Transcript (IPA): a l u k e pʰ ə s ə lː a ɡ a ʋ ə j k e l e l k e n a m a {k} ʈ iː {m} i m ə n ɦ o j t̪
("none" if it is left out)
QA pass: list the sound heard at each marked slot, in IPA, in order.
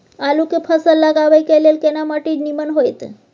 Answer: none, n

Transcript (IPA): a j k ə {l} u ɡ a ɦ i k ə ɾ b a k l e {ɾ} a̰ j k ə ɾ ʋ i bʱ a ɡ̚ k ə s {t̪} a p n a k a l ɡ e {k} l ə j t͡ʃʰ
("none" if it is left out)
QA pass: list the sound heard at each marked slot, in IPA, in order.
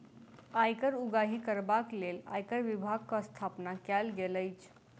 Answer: ɾ, l, t̪ʰ, none

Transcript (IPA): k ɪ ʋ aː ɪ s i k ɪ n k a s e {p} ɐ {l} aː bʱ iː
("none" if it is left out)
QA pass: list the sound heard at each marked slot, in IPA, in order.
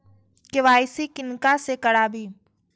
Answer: k, ɽ

